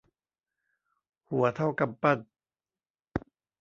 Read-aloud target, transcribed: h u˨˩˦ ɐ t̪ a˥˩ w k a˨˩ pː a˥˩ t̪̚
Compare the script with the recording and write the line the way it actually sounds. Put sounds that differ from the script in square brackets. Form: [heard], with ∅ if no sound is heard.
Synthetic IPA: h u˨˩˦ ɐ [t̪ʰ] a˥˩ w k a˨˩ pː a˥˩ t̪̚